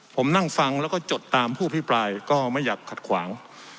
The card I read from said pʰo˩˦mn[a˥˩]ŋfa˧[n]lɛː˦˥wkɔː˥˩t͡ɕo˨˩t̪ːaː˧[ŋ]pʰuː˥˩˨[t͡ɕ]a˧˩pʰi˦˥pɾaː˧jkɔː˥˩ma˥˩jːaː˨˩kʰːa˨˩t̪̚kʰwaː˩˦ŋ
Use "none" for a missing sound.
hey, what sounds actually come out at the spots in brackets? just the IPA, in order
a˥˩, ŋ, m, none

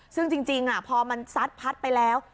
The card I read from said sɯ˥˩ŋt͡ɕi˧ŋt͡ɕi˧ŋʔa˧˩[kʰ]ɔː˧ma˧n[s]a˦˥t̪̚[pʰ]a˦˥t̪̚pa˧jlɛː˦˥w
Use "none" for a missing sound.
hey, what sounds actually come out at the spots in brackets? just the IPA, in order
pʰ, s, pʰ

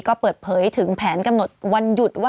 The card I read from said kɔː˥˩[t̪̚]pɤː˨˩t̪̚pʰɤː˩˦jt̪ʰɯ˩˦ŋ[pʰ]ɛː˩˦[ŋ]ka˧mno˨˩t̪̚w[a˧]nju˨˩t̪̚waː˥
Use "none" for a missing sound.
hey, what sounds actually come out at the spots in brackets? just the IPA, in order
none, pʰ, n, a˧

